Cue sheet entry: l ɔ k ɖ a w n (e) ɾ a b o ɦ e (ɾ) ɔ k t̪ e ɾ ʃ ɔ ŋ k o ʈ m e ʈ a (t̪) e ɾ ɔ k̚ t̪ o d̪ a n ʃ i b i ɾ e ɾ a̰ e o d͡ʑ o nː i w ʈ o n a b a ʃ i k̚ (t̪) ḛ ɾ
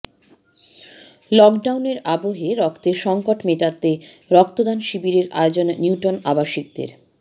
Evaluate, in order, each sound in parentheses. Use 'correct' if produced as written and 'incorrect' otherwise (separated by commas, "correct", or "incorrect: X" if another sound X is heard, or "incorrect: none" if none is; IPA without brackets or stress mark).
correct, correct, correct, incorrect: d̪